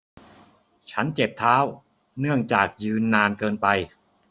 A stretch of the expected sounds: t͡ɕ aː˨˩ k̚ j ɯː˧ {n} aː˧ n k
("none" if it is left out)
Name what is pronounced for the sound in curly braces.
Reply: nː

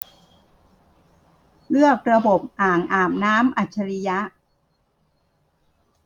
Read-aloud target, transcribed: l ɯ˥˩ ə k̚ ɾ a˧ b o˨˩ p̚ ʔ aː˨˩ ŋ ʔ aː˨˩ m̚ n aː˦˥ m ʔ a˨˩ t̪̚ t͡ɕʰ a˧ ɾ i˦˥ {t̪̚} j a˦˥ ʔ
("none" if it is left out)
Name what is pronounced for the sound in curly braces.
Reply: none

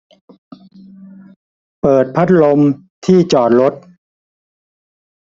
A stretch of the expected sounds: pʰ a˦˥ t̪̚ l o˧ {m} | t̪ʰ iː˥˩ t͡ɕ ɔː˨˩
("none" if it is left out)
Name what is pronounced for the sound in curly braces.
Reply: m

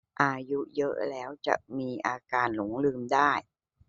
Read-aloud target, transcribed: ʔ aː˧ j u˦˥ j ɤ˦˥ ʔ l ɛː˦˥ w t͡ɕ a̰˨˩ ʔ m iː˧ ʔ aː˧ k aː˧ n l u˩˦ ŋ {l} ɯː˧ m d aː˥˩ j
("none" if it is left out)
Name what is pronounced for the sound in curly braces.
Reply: l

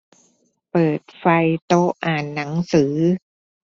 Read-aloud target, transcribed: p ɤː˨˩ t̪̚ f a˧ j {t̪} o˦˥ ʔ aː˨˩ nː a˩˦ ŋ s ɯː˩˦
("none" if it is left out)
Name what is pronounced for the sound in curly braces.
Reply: t̪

